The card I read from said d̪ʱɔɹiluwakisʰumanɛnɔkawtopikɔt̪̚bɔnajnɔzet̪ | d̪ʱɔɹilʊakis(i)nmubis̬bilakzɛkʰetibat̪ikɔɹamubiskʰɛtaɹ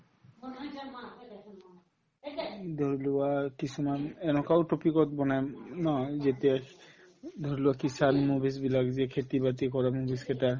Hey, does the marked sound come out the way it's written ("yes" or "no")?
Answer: no